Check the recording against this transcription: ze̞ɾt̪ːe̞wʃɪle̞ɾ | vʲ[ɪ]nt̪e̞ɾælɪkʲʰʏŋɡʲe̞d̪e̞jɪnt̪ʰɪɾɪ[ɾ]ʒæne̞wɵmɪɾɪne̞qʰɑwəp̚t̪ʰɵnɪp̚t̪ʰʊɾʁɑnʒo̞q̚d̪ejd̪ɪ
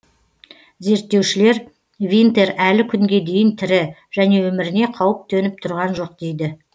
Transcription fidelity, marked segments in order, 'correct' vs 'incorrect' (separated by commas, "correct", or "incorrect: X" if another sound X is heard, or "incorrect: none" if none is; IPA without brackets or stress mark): incorrect: i, incorrect: none